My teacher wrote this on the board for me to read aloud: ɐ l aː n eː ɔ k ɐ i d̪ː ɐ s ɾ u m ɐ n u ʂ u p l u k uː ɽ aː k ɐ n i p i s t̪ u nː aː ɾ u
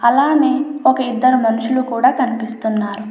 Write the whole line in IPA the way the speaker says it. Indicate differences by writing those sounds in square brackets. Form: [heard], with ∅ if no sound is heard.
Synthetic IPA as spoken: ɐ l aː n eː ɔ k ɐ i d̪ː ɐ [∅] ɾ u m ɐ n u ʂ u [∅] l u k uː ɽ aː k ɐ n i p i s t̪ u nː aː ɾ u